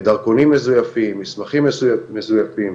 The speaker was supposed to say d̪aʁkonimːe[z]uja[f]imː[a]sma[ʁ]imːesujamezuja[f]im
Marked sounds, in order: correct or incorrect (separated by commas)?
correct, correct, incorrect, incorrect, correct